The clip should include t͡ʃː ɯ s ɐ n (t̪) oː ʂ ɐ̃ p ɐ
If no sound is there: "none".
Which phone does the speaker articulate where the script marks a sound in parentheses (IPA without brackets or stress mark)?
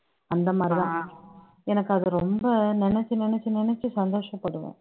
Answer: d̪